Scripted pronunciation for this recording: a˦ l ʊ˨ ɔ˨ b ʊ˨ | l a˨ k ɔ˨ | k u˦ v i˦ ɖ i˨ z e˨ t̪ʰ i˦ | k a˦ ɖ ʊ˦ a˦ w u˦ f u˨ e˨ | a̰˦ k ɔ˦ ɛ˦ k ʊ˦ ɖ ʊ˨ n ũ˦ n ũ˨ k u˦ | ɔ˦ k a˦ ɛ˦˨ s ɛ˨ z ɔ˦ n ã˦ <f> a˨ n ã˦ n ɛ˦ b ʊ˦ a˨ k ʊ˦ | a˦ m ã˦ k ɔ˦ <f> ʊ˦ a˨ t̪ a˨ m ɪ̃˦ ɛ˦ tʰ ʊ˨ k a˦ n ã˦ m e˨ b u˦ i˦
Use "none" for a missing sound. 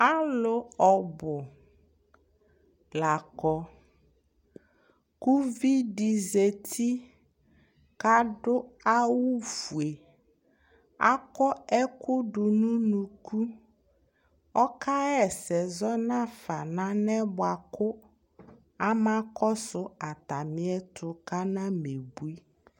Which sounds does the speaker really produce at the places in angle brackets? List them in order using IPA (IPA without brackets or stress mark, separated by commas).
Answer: f, s